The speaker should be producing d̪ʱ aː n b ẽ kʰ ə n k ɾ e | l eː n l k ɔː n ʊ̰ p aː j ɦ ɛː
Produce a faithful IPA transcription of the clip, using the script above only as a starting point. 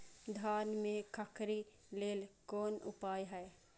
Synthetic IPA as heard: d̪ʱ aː n m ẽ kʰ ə k ɾ i | l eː l k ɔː n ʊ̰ p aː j ɦ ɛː

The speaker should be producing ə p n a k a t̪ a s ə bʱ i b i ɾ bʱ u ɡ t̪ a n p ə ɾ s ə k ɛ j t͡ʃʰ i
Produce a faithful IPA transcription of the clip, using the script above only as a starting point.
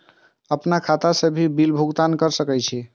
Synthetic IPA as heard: ə p n a kʰ a t̪ a s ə bʱ i b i l bʱ u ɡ t̪ a n k ə ɾ s ə k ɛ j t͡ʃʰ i

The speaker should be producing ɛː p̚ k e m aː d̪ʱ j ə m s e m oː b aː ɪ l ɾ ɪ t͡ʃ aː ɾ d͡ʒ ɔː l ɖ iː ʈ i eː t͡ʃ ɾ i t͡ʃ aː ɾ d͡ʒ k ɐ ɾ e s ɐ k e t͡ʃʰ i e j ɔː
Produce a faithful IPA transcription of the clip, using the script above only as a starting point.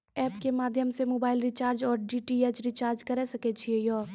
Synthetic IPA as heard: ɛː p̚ k e m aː d̪ʱ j ə m s e m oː b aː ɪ l ɾ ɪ t͡ʃ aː ɾ d͡ʒ ɔː ɾ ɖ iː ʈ i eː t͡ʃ ɾ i t͡ʃ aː ɾ d͡ʒ k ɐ ɾ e s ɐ k e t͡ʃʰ i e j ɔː

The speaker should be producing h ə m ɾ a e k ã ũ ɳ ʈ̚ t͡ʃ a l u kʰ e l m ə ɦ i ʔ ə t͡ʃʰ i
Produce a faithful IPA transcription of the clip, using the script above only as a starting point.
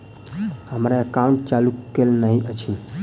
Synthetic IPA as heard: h ə m ɾ a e k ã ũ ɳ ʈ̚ t͡ʃ a l u k e l n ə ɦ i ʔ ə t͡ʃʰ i

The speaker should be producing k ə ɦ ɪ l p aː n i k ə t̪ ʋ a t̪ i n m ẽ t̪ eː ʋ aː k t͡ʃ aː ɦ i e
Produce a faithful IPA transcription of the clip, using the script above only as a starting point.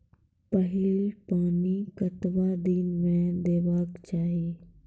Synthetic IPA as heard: p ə ɦ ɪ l p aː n i k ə t̪ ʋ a d̪ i n m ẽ d̪ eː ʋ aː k t͡ʃ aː ɦ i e

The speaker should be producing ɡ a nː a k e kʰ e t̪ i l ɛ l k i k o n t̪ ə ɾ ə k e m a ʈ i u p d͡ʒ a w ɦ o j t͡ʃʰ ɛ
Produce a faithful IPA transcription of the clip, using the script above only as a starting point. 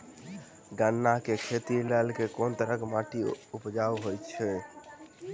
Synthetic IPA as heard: ɡ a nː a k e kʰ e t̪ i l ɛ l k e k o n t̪ ə ɾ ə k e m a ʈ i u p d͡ʒ a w ɦ o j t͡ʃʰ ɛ

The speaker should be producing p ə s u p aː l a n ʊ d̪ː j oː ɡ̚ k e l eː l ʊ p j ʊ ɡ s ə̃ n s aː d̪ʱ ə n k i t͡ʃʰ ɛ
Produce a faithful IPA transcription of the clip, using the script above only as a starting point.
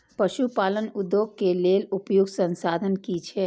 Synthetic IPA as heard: p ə ʃ u p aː l ə n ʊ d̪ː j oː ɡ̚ k e l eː l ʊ p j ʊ ɡ s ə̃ n s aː d̪ʱ ə n k i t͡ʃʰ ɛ

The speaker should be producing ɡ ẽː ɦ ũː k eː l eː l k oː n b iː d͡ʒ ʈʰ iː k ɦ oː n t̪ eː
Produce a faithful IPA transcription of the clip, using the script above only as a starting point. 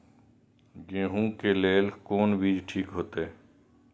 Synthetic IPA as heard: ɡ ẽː ɦ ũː k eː l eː l k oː n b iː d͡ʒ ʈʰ iː k ɦ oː t̪ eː

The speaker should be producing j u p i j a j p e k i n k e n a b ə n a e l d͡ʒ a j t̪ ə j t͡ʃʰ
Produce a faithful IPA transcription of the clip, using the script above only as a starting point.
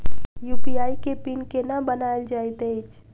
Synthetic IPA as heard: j u p i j a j k e p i n k e n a b ə n a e l d͡ʒ a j t̪ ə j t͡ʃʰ

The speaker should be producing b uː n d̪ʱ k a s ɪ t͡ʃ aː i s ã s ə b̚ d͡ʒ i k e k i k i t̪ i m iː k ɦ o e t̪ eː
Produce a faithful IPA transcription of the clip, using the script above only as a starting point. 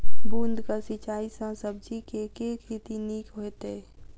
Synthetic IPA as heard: b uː n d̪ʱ k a s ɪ t͡ʃ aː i s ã s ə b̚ d͡ʒ i k e k e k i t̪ i n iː k ɦ o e t̪ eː

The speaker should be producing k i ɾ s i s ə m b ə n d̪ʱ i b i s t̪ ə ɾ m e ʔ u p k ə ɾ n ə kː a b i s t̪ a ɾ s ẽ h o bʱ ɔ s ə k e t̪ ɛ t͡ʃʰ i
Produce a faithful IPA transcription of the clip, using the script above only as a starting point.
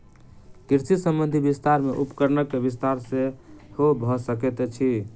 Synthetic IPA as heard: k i ɾ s i s ə m b ə n d̪ʱ i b i s t̪ a ɾ m e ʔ u p k ə ɾ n ə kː e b i s t̪ a ɾ s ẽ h o bʱ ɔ s ə k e t̪ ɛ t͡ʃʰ i

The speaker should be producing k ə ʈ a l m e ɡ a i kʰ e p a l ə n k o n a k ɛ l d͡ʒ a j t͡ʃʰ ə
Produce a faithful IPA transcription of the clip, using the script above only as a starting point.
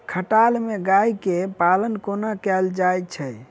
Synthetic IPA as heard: kʰ ə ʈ a l m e ɡ a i k e p a l ə n k o n a k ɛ l d͡ʒ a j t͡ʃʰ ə

